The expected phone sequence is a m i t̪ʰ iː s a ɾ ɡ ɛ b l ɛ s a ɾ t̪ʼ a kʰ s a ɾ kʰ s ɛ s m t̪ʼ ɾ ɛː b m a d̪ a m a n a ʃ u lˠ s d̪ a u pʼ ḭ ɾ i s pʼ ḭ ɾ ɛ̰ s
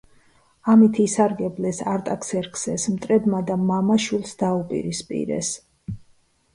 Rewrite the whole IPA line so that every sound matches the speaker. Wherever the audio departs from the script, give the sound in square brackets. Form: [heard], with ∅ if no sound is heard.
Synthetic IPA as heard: a m i t̪ʰ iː s a ɾ ɡ ɛ b l ɛ s a ɾ t̪ʼ a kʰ s [ɛ] ɾ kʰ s ɛ s m t̪ʼ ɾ [ɛ] b m a d̪ a m a [m] a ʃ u lˠ s d̪ a u pʼ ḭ ɾ i s pʼ ḭ ɾ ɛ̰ s